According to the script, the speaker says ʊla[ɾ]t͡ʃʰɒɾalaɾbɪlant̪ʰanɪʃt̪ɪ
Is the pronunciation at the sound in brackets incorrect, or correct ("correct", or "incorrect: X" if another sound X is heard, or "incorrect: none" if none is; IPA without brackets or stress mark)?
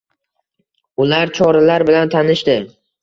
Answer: correct